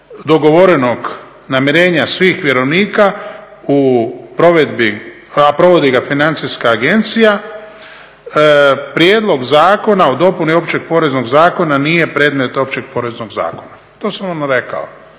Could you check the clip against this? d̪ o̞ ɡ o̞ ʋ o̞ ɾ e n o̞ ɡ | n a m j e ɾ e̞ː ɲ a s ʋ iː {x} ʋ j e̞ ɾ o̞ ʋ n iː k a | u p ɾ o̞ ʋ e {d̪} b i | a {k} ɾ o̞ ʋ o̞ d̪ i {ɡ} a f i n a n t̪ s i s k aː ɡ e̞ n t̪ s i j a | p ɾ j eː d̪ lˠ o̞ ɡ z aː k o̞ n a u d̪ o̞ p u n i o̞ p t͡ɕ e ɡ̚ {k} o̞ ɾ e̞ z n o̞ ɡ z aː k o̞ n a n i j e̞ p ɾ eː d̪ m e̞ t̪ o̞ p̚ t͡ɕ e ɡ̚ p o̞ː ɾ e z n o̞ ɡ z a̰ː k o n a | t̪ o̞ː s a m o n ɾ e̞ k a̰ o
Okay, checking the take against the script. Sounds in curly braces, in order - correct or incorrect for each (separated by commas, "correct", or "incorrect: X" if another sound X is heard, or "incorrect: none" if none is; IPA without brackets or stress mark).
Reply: correct, correct, incorrect: p, correct, incorrect: p